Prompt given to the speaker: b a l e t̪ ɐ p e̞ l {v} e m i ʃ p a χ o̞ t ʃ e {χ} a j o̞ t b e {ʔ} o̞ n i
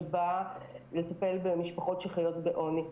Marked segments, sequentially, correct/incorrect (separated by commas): incorrect, correct, correct